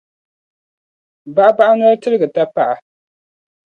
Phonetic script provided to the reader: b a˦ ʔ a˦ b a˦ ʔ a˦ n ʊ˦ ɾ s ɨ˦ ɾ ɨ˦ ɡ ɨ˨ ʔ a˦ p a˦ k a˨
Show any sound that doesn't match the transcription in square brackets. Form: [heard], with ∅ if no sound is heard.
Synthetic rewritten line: b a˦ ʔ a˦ b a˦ ʔ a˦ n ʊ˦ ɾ [t] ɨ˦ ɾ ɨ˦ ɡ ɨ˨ [t] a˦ p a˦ [ʔ] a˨